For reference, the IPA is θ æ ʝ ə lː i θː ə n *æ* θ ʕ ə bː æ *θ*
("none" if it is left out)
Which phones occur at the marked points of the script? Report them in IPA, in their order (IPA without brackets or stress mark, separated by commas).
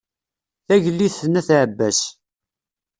æ, s